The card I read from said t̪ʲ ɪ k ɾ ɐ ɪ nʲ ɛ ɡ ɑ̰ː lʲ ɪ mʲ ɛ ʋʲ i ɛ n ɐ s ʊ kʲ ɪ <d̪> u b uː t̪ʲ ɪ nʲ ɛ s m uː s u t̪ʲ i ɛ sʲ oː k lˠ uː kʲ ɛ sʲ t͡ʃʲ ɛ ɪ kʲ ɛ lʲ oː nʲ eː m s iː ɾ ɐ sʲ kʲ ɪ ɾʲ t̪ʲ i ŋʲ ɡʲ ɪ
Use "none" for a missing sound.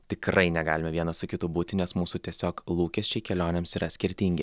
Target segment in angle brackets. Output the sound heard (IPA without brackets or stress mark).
t̪